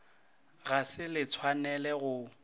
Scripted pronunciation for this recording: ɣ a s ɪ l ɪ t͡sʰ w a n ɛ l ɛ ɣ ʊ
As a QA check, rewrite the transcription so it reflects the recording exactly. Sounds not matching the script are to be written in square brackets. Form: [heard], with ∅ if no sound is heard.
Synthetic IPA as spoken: ɣ a s ɪ l ɪ t͡sʰ w a n ɛ l ɛ ɣ ʊ

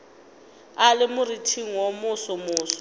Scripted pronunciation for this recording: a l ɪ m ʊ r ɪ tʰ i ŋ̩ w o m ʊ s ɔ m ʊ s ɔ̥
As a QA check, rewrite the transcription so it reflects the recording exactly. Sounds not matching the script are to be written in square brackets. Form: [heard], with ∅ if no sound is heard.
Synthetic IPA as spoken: a l ɪ m ʊ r [i] tʰ i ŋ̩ w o m ʊ s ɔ m [ʊː] s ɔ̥

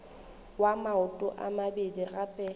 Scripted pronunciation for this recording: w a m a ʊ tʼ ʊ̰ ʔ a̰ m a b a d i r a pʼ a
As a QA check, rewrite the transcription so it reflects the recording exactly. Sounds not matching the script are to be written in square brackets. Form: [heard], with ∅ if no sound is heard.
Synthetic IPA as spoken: w a m a ʊ tʼ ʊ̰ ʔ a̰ m a b [e] d i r a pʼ [ɛ]

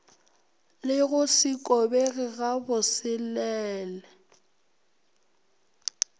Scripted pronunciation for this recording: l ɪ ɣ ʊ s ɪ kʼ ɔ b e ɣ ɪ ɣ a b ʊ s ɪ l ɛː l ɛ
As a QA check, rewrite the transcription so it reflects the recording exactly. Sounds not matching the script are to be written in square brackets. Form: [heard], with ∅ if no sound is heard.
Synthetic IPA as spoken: l ɪ ɣ ʊ s ɪ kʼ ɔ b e ɣ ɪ ɣ a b ʊ s ɪ l ɛː l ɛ

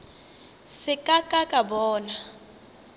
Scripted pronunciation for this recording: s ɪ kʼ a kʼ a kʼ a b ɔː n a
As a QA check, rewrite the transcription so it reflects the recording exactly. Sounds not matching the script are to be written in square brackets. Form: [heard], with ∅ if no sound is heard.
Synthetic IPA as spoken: s ɪ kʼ a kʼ a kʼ a b ɔː n a

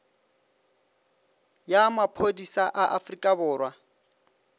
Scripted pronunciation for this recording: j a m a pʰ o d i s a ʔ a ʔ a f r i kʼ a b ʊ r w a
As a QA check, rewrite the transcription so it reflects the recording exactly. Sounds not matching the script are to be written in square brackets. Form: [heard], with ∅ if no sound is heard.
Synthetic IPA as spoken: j a m a pʰ o d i s a ʔ a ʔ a f r i kʼ a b [ʊː] r w a

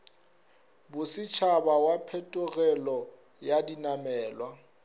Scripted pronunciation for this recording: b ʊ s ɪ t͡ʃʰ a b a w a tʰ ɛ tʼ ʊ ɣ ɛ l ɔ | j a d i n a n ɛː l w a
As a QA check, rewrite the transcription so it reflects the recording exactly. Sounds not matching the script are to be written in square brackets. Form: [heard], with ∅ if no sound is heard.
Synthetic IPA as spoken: b ʊ s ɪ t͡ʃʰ a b a w a [pʰ] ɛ tʼ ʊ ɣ ɛ l ɔ | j a d i n a [m] ɛː l w a

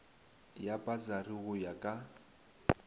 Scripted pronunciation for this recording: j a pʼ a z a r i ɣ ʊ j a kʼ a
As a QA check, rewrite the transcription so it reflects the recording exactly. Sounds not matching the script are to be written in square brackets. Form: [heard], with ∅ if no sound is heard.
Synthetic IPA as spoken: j a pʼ a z a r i ɣ ʊ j a kʼ a

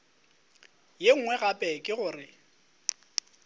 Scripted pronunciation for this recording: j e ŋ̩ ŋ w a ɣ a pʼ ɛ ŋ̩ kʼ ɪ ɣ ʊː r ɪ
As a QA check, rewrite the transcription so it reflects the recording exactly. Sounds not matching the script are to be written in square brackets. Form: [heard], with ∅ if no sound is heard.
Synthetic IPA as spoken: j e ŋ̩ ŋ w [ɛ] ɣ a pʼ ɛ [∅] kʼ ɪ ɣ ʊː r ɪ

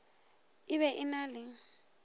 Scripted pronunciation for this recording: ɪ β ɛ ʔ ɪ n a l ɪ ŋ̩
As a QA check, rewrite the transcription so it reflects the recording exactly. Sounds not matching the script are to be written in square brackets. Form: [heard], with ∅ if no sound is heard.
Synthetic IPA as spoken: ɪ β ɛ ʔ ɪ n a l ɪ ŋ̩

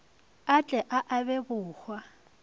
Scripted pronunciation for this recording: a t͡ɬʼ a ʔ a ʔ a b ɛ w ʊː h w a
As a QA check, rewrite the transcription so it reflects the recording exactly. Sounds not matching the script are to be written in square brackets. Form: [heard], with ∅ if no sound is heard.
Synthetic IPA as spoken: a t͡ɬʼ [ɛ] ʔ a ʔ a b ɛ [b] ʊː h w a

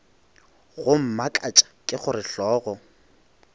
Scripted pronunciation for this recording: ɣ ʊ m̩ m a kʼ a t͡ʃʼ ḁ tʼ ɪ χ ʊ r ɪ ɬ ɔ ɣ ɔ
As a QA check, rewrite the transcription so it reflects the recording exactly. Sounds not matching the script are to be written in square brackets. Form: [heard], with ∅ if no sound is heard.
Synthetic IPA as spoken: ɣ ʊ m̩ m a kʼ a t͡ʃʼ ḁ [kʼ] ɪ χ ʊ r ɪ ɬ [ɔː] ɣ ɔ

